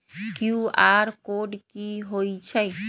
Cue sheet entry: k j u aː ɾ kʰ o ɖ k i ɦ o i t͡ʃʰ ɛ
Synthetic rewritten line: k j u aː ɾ k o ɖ k i ɦ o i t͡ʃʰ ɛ